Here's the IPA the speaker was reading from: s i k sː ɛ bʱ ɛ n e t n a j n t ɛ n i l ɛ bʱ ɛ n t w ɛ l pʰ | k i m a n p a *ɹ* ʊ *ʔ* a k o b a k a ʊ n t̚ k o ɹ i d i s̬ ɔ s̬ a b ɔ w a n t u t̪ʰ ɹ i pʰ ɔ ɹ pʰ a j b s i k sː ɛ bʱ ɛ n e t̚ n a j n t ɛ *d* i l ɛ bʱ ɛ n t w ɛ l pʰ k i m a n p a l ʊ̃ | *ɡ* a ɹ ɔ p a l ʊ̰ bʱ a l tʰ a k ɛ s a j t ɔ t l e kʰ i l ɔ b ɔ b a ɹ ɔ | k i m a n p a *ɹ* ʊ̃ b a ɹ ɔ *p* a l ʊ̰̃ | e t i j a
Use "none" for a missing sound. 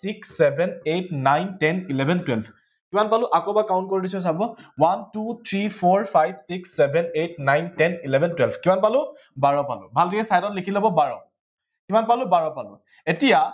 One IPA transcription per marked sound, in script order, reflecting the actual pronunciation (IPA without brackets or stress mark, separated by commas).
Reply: l, ʔ, n, b, l, p